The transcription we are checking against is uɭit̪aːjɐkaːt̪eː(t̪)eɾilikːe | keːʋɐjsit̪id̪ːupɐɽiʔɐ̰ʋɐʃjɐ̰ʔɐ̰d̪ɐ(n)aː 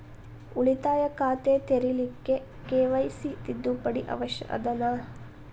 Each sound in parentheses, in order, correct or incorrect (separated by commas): correct, correct